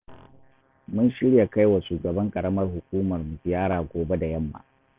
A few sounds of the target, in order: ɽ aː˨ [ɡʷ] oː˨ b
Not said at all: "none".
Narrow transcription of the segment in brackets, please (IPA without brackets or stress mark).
ɡʷ